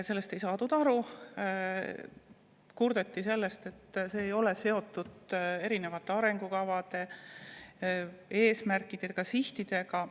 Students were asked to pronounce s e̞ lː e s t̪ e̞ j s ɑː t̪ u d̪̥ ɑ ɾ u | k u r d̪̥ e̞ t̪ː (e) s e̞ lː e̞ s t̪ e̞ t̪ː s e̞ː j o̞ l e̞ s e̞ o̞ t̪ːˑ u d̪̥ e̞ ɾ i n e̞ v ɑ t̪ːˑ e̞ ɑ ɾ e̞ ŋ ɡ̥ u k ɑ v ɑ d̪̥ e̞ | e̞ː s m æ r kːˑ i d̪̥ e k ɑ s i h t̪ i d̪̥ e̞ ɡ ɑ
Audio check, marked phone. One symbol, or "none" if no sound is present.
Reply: i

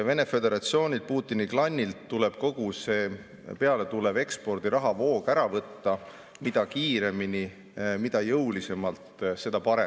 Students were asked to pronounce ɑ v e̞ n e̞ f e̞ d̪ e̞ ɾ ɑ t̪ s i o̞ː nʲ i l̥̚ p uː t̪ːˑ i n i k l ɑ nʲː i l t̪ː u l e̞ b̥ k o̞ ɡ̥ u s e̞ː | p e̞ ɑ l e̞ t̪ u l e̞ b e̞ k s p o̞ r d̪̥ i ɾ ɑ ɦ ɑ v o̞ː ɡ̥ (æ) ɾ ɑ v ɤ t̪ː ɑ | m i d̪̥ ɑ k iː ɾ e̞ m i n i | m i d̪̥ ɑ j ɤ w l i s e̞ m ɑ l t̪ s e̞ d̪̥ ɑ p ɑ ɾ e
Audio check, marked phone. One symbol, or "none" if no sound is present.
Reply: æ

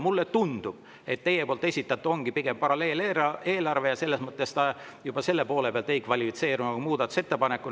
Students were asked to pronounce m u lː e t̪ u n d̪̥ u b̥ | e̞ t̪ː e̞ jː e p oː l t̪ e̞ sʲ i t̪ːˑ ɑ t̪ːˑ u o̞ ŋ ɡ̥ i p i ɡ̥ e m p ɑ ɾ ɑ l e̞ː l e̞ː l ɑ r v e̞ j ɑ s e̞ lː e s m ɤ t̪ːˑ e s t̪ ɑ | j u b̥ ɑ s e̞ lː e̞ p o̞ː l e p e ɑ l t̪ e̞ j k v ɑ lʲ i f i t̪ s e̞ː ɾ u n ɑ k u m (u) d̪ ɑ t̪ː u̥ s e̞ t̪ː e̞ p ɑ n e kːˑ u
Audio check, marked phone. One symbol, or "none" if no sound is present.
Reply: uː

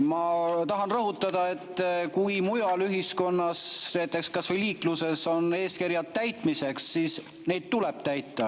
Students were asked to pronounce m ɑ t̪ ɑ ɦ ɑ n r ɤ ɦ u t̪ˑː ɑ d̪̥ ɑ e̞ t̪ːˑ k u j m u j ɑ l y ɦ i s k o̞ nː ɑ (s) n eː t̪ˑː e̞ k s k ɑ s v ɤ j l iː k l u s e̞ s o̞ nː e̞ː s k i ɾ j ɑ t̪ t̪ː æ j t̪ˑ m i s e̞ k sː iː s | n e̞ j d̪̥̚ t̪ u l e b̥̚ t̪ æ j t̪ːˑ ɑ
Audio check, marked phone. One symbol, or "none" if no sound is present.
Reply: s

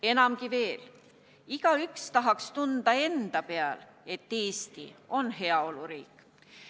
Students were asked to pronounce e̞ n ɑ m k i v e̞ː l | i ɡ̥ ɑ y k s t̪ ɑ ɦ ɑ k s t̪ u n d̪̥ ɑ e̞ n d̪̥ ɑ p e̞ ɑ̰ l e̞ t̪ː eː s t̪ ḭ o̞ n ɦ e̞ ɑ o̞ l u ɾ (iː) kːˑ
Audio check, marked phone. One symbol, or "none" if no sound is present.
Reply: iː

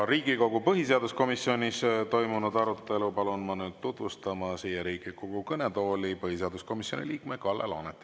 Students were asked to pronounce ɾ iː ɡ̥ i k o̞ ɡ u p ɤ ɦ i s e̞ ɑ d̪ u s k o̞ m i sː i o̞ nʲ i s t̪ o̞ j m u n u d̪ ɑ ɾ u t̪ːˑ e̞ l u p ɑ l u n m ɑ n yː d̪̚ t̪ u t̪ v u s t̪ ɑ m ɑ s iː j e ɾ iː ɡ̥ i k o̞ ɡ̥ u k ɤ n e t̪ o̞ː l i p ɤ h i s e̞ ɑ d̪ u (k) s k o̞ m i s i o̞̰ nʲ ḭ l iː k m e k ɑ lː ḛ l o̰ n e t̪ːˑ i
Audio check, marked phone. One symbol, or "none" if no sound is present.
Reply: none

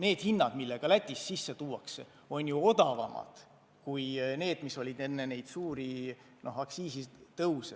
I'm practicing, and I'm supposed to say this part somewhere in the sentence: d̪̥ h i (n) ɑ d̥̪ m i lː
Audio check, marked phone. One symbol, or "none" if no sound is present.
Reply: nː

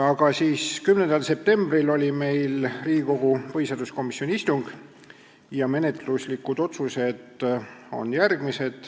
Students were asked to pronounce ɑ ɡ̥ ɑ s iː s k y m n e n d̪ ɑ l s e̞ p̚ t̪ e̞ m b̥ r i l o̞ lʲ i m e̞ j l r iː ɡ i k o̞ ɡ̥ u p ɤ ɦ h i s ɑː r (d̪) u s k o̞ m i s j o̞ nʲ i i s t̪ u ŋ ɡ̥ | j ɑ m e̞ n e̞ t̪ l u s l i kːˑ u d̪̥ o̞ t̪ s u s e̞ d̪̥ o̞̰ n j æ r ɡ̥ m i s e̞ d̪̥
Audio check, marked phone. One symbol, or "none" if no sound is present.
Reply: d̪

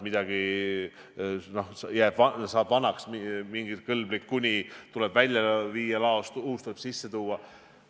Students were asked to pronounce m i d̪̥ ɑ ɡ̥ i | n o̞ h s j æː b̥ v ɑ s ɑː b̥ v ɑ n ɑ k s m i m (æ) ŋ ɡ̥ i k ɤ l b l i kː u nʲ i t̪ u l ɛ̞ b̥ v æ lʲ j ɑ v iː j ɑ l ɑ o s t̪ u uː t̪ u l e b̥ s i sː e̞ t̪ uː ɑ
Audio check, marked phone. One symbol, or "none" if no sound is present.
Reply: i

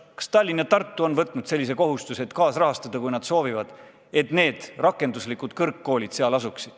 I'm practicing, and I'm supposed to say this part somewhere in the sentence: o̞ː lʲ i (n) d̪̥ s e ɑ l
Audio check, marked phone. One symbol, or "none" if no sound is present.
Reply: none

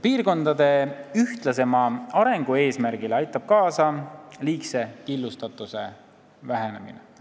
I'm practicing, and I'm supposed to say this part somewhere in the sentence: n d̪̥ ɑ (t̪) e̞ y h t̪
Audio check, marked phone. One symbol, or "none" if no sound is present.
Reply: d̪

